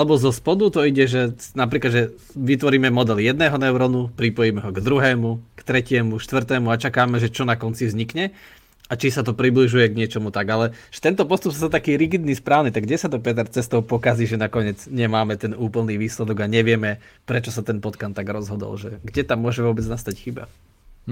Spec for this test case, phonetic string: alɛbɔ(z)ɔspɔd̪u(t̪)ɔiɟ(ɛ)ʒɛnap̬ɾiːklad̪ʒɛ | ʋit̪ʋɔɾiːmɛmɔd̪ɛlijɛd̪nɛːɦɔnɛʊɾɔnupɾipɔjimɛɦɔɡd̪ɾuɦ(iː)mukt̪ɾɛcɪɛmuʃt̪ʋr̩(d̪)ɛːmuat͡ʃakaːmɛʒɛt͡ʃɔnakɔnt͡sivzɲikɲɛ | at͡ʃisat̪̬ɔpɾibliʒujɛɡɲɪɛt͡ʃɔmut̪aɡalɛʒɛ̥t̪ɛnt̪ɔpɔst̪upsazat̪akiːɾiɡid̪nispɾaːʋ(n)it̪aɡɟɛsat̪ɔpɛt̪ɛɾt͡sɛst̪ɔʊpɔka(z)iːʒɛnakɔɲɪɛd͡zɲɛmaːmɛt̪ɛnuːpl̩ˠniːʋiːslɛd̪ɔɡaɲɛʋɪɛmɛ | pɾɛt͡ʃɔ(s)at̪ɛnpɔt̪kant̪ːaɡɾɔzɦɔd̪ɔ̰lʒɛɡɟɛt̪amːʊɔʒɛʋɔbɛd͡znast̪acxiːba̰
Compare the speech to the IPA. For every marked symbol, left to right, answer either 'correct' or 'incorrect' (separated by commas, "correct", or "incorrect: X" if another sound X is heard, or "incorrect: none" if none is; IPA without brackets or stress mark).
correct, correct, correct, incorrect: ɛː, incorrect: t̪, correct, correct, correct